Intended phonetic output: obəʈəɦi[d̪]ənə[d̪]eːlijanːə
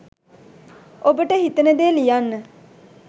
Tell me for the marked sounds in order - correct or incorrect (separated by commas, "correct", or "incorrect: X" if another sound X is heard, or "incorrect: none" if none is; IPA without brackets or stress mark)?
incorrect: t̪, correct